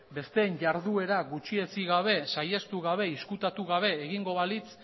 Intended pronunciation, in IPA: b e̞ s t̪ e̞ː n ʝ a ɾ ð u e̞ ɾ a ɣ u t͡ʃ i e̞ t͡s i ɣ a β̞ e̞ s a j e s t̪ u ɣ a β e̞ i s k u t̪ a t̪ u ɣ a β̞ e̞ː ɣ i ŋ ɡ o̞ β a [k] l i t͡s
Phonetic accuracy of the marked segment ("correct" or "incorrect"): incorrect